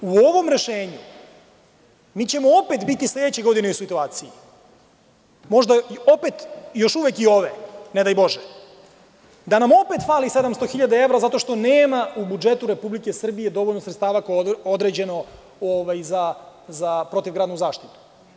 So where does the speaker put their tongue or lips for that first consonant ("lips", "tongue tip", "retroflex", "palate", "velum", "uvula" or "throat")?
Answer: lips